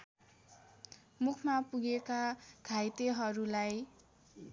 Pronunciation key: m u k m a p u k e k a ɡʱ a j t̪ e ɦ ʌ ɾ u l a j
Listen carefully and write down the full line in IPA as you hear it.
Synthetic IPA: m u kʰ m a p u ɡ e k a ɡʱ a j t̪ e ɦ ʌ ɾ u l a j